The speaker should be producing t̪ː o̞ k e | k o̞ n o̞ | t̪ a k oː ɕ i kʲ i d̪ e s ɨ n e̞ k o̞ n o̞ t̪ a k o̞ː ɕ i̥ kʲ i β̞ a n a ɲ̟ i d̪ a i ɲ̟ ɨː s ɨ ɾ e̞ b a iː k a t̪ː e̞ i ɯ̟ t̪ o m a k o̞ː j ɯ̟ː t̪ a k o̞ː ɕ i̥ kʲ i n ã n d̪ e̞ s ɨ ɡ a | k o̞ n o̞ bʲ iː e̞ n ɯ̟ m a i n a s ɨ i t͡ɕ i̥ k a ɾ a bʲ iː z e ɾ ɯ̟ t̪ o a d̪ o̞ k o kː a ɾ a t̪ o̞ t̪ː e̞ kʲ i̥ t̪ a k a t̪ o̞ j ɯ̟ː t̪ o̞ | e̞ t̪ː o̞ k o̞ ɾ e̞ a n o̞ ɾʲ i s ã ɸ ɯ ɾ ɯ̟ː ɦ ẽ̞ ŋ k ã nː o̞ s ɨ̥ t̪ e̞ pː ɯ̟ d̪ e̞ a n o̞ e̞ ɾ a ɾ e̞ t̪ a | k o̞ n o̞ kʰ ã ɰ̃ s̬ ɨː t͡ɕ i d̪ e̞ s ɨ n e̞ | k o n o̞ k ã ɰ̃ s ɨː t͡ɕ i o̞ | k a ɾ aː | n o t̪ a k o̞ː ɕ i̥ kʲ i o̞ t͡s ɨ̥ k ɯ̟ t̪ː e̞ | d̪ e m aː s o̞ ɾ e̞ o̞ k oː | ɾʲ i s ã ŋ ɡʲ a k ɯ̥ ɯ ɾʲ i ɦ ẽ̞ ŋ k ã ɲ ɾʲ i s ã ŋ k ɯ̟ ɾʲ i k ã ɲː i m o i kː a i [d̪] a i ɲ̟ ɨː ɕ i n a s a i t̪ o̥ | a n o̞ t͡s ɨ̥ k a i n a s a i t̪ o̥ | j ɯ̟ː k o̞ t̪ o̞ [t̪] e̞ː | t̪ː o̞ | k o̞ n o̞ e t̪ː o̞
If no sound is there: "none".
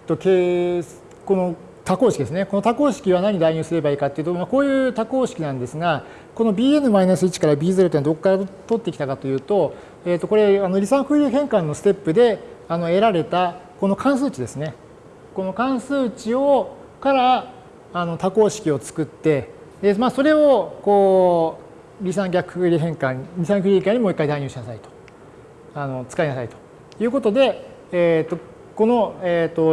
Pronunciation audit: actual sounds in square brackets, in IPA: d̪, d̪

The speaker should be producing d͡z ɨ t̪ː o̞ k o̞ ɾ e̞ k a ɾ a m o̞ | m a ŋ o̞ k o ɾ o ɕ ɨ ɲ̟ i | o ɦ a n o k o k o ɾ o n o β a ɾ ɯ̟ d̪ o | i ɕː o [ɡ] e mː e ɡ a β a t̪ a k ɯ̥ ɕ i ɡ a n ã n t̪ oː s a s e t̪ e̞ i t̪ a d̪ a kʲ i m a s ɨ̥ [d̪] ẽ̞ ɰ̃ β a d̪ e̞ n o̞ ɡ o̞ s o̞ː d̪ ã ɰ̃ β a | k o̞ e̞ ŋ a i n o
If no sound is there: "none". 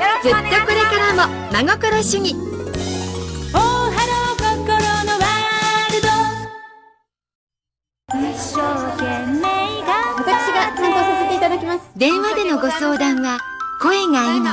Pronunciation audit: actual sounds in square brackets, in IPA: k, d̪

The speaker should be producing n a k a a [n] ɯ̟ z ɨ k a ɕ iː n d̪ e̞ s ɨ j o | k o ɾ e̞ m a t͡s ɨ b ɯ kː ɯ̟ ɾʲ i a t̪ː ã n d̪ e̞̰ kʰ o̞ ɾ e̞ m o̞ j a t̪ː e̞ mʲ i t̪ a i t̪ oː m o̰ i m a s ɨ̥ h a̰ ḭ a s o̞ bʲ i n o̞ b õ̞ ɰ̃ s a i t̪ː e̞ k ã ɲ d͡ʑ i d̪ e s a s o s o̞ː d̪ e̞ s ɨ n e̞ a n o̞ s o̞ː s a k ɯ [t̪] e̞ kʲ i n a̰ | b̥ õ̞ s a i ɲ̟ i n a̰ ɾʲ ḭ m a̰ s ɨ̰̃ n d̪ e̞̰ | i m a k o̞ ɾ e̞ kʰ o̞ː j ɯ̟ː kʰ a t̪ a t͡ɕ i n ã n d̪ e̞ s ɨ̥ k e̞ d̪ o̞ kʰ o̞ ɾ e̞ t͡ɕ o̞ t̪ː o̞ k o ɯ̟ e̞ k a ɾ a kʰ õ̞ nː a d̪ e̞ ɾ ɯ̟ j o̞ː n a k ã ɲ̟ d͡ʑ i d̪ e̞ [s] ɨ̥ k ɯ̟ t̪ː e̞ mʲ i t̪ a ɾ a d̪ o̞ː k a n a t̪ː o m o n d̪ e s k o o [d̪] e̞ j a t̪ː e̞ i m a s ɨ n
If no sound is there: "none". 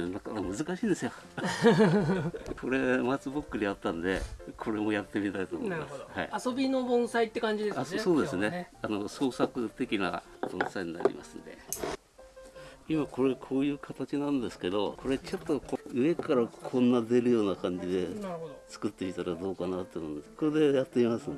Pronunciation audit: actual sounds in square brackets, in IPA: m, t̪, t͡s, d̪

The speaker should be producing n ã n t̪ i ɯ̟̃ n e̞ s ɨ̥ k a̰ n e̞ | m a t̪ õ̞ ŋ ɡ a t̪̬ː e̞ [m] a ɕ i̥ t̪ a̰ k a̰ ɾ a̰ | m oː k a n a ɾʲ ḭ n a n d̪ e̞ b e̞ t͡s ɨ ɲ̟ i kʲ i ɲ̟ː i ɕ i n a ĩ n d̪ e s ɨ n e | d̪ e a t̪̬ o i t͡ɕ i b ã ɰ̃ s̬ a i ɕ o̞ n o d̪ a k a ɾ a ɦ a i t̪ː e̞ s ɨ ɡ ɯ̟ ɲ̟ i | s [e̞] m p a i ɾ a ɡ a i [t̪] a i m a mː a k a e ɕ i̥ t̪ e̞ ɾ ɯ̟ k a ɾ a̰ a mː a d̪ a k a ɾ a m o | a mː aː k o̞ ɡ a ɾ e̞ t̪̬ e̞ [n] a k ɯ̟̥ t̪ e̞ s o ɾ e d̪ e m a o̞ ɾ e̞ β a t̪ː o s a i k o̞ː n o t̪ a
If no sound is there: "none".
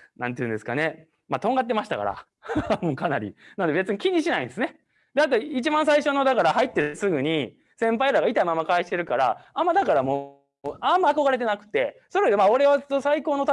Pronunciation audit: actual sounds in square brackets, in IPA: m, ẽ̞, t̪, n

